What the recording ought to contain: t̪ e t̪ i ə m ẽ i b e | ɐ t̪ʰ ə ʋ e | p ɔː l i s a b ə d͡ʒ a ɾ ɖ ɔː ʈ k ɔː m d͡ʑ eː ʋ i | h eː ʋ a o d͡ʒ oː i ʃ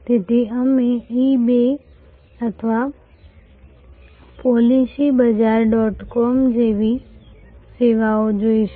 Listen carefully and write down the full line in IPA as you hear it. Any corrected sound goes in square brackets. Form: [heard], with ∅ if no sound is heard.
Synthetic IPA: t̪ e t̪ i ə m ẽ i b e | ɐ t̪ʰ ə ʋ [a] | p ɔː l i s [i] b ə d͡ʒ a ɾ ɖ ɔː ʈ k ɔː m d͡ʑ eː ʋ i | [s] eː ʋ a o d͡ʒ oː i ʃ

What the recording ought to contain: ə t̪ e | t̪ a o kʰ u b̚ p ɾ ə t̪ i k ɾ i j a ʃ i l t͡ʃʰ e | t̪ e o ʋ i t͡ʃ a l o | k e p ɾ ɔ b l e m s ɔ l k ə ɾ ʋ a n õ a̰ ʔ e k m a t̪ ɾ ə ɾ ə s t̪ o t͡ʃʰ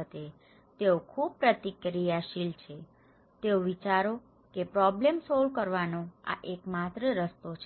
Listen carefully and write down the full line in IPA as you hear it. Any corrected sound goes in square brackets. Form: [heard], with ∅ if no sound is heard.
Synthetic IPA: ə t̪ e | t̪ [e] o kʰ u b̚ p ɾ ə t̪ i k ɾ i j a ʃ i l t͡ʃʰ e | t̪ e o ʋ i t͡ʃ a [ɾ] o | k e p ɾ ɔ b l e m s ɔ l k ə ɾ ʋ a n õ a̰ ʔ e k m a t̪ ɾ ə ɾ ə s t̪ o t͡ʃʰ

